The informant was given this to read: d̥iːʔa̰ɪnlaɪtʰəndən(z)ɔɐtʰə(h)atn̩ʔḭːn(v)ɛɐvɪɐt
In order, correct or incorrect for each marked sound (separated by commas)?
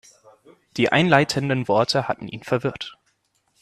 incorrect, correct, incorrect